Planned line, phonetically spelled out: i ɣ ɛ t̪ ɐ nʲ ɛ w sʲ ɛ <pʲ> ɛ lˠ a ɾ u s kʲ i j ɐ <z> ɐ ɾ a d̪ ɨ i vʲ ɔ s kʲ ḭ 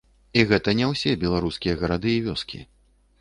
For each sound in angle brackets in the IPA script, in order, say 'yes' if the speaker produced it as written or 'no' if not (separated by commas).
no, no